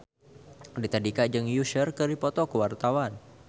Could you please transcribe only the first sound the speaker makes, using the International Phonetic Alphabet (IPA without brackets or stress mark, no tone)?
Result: d